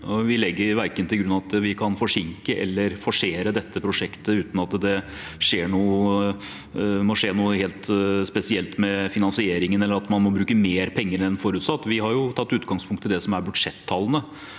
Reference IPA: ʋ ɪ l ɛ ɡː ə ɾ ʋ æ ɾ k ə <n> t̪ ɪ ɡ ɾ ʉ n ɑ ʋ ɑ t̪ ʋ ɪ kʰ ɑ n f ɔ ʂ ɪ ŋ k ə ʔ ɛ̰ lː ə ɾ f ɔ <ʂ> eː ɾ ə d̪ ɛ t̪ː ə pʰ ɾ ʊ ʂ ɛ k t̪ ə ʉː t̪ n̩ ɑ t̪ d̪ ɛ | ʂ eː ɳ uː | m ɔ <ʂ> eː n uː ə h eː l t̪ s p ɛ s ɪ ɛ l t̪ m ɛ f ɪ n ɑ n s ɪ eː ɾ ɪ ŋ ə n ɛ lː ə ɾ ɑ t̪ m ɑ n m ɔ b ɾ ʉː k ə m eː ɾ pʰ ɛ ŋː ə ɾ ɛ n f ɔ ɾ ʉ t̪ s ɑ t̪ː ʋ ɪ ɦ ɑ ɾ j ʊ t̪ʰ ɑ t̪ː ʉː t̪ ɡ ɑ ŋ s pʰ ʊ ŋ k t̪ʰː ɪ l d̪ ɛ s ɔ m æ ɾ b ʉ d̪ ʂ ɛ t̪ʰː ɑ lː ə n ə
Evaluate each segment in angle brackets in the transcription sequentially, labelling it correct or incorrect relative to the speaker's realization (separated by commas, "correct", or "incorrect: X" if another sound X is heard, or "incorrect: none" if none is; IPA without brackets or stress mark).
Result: correct, correct, correct